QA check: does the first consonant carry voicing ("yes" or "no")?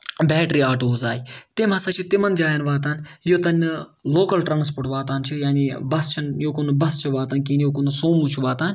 yes